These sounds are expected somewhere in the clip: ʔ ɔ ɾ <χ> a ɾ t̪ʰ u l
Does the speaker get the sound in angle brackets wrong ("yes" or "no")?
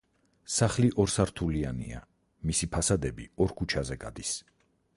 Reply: yes